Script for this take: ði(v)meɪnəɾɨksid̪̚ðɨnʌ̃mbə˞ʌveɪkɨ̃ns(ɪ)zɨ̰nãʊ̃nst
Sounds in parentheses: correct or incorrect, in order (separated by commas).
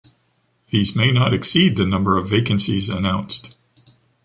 incorrect, incorrect